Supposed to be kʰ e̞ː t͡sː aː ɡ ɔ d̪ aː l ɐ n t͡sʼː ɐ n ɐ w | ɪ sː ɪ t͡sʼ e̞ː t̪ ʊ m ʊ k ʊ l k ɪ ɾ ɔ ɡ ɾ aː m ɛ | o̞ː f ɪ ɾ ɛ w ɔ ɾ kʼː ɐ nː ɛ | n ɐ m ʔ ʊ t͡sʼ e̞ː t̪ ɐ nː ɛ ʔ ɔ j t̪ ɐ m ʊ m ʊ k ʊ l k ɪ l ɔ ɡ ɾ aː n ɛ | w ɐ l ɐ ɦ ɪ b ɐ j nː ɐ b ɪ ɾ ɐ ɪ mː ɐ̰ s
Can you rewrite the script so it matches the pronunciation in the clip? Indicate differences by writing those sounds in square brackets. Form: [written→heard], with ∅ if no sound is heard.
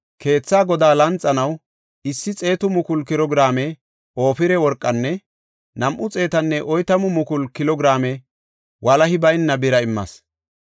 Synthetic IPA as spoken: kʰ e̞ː t͡sː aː ɡ ɔ d̪ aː l ɐ n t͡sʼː ɐ n ɐ w | ɪ sː ɪ t͡sʼ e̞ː t̪ ʊ m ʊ k ʊ l k ɪ ɾ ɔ ɡ ɾ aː m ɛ | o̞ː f ɪ ɾ ɛ w ɔ ɾ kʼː ɐ nː ɛ | n ɐ m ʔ ʊ t͡sʼ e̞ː t̪ ɐ nː ɛ ʔ ɔ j t̪ ɐ m ʊ m ʊ k ʊ l k ɪ l ɔ ɡ ɾ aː [n→m] ɛ | w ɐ l ɐ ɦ ɪ b ɐ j nː ɐ b ɪ ɾ ɐ ɪ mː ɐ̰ s